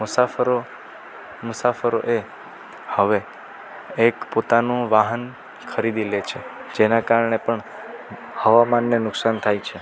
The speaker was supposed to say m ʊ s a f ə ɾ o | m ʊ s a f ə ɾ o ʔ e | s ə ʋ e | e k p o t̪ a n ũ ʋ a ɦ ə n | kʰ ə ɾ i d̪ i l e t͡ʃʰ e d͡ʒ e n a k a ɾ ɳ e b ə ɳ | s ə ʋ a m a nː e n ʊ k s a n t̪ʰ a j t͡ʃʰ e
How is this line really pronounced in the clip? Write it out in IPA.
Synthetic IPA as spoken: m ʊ s a f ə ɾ o | m ʊ s a f ə ɾ o ʔ e | h ə ʋ e | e k p o t̪ a n ũ ʋ a ɦ ə n | kʰ ə ɾ i d̪ i l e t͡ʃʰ e d͡ʒ e n a k a ɾ ɳ e p ə ɳ | h ə ʋ a m a nː e n ʊ k s a n t̪ʰ a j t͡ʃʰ e